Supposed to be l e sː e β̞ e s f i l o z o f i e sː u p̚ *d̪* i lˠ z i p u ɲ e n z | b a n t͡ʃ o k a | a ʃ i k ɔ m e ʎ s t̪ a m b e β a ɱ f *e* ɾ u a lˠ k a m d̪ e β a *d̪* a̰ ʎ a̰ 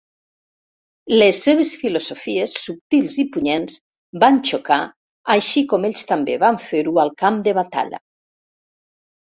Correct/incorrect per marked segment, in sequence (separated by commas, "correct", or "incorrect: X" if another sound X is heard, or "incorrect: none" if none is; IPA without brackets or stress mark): incorrect: t̪, correct, incorrect: t̪